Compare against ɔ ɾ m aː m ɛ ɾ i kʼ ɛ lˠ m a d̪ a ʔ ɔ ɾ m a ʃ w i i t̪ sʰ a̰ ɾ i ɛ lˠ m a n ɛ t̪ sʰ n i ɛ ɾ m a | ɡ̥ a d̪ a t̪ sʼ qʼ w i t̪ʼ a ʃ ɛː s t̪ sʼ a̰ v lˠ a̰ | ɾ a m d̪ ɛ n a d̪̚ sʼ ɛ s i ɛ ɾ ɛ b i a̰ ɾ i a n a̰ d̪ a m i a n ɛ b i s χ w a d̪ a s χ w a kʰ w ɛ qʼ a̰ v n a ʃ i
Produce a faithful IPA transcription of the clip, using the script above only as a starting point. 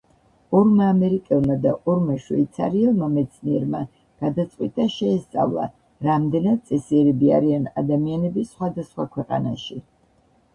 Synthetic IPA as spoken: ɔ ɾ m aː m ɛ ɾ i kʼ ɛ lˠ m a d̪ a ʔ ɔ ɾ m a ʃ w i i t̪ sʰ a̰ ɾ i ɛ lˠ m a m ɛ t̪ sʰ n i ɛ ɾ m a | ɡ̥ a d̪ a t̪ sʼ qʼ w i t̪ʼ a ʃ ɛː s t̪ sʼ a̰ v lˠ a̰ | ɾ a m d̪ ɛ n a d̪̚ sʼ ɛ s i ɛ ɾ ɛ b i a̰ ɾ i a n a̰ d̪ a m i a n ɛ b i s χ w a d̪ a s χ w a kʰ w ɛ qʼ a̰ n a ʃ i